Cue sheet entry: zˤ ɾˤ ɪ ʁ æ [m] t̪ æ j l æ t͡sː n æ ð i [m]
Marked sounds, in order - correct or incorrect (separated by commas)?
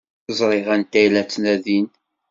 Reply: incorrect, incorrect